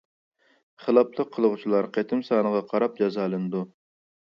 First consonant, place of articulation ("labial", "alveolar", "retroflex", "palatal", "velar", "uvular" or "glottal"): uvular